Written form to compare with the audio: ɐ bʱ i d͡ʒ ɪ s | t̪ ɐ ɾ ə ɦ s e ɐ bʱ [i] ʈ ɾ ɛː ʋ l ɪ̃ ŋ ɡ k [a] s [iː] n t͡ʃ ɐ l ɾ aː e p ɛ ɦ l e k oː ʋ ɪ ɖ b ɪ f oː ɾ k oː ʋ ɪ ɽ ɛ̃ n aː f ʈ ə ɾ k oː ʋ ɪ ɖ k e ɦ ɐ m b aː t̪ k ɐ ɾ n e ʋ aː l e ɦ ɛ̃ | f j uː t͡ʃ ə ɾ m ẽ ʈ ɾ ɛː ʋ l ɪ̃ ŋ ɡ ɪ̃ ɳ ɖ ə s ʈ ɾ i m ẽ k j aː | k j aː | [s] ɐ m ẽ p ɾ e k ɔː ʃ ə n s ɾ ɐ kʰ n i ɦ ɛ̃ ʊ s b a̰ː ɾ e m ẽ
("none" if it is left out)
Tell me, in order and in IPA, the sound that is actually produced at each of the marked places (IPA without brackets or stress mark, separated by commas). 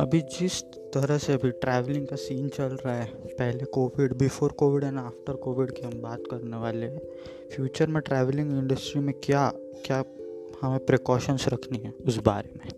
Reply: i, a, iː, h